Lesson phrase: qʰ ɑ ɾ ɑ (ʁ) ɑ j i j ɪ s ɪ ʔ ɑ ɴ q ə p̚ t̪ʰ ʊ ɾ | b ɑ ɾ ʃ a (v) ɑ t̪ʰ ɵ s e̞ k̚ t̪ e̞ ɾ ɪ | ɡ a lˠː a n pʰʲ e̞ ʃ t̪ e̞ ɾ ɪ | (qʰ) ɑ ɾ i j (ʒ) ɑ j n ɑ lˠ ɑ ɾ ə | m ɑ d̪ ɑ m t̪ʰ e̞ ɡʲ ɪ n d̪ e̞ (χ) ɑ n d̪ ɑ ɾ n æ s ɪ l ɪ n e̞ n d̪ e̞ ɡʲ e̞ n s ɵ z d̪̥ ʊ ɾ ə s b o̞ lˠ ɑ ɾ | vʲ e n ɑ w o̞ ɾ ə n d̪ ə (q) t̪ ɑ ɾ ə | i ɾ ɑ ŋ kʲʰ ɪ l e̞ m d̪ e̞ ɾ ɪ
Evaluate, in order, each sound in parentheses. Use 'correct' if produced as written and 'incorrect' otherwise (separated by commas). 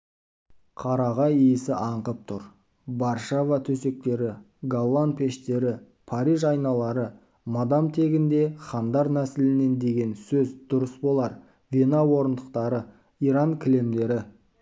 correct, correct, incorrect, correct, correct, correct